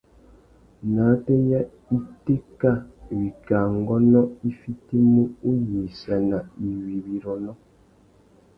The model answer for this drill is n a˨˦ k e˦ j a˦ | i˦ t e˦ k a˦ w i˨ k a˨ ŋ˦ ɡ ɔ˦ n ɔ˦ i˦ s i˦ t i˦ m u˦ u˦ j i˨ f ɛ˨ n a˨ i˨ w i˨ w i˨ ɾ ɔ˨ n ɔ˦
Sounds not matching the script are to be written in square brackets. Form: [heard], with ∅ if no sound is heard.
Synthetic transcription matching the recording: n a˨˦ [t] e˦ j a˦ | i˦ t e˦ k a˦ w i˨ k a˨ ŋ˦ ɡ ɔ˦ n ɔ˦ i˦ [f] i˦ t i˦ m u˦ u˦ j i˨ [s] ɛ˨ n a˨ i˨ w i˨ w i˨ ɾ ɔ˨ n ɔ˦

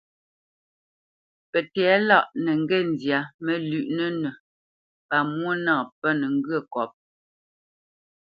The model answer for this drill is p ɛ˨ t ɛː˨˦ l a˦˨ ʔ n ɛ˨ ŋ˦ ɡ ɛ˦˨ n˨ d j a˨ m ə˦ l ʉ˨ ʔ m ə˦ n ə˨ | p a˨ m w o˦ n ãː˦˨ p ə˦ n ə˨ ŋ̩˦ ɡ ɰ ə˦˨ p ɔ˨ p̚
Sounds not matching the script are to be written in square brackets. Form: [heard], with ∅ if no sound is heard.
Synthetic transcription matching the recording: p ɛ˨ t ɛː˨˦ l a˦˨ ʔ n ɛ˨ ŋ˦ ɡ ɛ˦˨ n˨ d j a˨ m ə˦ l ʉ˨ ʔ [n] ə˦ n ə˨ | p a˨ m w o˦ n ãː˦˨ p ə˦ n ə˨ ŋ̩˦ ɡ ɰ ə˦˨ [k] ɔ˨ p̚

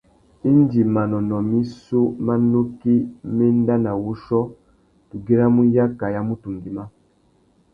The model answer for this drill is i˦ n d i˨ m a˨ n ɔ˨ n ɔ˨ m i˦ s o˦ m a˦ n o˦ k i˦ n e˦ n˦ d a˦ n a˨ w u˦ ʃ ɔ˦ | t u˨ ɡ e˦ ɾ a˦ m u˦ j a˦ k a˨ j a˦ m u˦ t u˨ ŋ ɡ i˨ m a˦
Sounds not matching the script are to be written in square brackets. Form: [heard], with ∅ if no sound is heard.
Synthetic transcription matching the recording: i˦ n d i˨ m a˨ n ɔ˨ n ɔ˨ m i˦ s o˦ m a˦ n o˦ k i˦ [m] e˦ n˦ d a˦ n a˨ w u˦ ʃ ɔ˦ | t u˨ ɡ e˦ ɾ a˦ m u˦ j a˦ k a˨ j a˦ m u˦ t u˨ ŋ ɡ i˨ m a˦

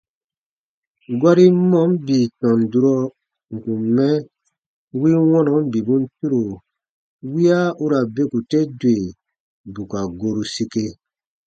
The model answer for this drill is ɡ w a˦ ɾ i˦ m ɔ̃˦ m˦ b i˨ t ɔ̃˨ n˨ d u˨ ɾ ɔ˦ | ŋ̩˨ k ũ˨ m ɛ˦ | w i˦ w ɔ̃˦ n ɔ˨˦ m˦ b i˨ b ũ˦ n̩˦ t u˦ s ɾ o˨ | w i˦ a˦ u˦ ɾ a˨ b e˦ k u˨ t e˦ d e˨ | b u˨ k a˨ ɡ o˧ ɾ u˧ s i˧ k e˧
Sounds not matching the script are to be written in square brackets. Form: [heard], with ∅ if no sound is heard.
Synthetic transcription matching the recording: ɡ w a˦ ɾ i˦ m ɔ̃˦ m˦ b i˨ t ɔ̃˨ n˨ d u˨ ɾ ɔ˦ | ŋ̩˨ k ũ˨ m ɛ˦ | w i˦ w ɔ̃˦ n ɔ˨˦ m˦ b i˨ b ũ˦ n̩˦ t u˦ [∅] ɾ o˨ | w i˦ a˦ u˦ ɾ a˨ b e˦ k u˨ t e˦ d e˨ | b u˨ k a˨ ɡ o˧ ɾ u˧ s i˧ k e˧

